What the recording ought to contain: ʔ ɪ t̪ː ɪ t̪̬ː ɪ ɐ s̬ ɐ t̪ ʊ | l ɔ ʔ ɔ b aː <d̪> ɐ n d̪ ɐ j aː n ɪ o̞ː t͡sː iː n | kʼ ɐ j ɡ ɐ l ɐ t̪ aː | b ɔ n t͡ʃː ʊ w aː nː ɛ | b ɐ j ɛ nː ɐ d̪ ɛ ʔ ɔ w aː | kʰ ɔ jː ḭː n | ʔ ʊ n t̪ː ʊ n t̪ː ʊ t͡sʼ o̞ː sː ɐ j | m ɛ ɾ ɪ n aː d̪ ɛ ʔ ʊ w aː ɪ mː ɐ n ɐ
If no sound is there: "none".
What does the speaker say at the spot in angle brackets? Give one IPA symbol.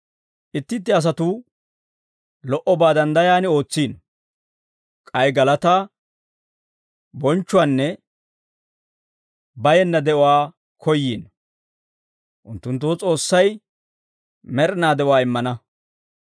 d̪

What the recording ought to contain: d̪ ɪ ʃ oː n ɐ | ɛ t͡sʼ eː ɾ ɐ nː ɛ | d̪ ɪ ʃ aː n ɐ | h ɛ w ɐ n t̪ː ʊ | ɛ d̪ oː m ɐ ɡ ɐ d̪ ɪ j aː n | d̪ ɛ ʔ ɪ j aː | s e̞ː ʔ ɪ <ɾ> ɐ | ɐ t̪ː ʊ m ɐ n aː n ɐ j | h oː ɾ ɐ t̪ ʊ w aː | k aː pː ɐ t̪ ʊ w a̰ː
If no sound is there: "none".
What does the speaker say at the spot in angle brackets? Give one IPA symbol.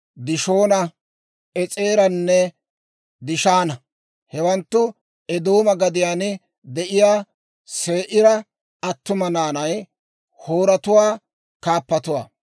ɾ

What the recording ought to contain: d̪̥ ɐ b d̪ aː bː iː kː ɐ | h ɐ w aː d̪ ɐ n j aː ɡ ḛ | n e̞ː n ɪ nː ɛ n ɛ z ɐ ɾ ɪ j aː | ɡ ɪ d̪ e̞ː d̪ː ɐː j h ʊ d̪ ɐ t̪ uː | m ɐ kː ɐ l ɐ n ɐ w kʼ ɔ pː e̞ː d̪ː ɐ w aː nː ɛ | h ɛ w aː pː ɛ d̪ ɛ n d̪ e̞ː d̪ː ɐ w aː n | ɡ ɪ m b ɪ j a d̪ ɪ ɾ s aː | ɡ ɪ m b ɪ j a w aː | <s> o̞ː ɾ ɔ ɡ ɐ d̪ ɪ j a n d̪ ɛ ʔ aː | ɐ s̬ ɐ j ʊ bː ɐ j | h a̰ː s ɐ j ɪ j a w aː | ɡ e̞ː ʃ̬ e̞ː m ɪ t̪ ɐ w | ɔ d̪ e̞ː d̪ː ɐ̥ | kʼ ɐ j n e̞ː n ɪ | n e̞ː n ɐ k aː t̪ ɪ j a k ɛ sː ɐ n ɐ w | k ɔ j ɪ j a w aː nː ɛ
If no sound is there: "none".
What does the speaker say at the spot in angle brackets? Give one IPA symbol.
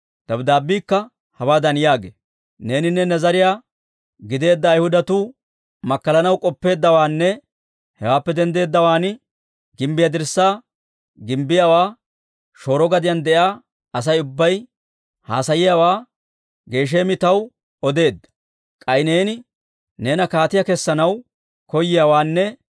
ʃ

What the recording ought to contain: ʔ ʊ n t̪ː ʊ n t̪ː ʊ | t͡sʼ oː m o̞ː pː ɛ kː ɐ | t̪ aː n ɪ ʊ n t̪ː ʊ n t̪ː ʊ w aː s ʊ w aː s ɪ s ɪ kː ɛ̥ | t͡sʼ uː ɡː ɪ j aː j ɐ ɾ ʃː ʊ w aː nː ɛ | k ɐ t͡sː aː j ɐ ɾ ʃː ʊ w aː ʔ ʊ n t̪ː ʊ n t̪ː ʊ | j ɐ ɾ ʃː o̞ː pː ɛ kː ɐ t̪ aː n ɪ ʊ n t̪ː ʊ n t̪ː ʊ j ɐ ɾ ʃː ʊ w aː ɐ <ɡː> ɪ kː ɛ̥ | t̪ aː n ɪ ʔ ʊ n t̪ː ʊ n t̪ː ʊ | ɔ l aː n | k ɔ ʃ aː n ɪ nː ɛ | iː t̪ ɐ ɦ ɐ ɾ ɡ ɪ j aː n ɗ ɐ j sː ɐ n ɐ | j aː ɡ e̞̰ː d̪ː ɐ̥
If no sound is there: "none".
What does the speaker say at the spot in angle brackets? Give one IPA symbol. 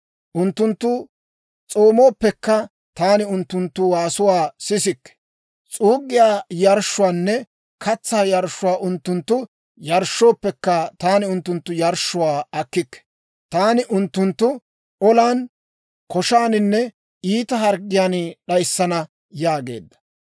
kː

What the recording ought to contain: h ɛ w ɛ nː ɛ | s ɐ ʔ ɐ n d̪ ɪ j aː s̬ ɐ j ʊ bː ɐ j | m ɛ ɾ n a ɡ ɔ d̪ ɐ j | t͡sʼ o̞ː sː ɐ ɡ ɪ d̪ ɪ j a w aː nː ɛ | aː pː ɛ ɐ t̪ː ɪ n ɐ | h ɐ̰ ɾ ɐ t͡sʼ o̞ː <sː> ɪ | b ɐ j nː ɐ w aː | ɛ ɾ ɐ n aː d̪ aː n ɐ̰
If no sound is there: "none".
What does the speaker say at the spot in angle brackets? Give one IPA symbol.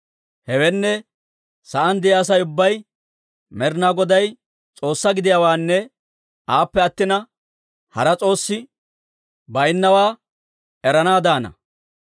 sː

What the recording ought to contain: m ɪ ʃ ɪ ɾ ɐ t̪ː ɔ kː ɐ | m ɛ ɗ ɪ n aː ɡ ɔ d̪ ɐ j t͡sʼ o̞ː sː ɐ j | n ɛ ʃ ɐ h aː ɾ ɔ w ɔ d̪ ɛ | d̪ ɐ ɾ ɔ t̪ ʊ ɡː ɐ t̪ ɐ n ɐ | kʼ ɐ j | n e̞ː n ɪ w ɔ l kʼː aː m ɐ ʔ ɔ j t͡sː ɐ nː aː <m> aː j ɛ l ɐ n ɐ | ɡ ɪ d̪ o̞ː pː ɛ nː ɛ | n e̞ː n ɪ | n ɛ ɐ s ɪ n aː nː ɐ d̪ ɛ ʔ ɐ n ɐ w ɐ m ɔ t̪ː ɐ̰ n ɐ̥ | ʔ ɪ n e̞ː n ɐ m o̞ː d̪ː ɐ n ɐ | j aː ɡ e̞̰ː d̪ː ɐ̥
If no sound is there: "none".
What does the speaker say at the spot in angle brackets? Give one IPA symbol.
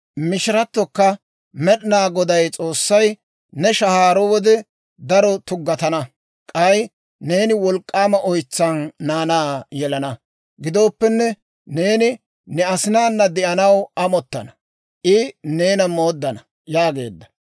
n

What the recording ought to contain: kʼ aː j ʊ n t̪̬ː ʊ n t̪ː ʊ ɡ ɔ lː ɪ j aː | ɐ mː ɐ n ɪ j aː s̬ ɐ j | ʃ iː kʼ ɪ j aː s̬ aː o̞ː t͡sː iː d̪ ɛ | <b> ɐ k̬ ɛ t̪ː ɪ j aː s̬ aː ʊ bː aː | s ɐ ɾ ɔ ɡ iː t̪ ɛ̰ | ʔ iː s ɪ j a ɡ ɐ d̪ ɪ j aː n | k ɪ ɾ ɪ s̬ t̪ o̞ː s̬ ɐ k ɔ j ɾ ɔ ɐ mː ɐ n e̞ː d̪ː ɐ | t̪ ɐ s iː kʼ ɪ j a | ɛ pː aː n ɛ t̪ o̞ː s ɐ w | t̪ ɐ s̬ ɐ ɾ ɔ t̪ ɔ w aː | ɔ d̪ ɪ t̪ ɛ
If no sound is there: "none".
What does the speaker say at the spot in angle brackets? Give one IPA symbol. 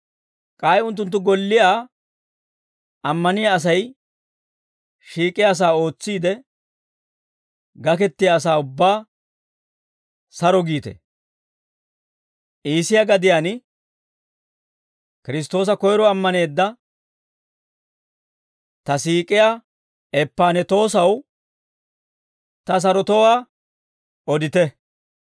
ɡ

